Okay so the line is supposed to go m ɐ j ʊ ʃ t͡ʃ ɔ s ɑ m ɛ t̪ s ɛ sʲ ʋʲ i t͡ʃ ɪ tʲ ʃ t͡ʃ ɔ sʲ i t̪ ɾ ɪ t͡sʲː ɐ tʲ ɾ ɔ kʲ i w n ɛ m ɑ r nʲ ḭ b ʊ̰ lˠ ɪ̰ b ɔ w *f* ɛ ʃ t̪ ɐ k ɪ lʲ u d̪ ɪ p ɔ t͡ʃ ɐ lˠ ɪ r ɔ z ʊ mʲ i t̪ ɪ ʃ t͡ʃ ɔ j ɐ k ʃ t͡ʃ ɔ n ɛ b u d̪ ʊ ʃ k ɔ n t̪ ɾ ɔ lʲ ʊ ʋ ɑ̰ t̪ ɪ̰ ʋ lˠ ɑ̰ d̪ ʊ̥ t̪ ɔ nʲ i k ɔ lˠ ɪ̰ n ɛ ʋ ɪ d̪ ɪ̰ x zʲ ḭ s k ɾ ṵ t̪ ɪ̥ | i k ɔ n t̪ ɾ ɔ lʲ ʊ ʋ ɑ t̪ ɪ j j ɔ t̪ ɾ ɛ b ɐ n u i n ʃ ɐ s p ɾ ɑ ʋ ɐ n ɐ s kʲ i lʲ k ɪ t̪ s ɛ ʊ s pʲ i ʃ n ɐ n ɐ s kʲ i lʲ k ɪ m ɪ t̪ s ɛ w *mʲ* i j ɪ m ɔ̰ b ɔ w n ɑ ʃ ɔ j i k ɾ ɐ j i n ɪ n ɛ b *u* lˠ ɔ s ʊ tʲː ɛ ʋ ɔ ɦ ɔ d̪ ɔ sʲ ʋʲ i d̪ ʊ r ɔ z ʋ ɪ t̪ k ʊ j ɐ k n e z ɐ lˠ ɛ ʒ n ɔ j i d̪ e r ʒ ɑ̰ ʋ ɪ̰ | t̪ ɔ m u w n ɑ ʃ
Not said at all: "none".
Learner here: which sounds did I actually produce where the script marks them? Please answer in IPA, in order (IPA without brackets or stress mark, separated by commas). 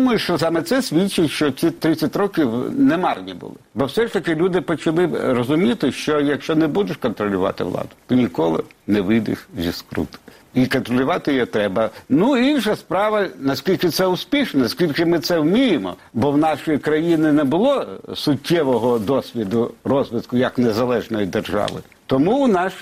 s, mʲ, ʊ